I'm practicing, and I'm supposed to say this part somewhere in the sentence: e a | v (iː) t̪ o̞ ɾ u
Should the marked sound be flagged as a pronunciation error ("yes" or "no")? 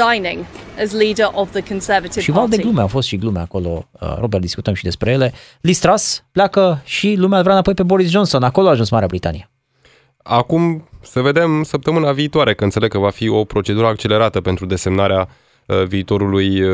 no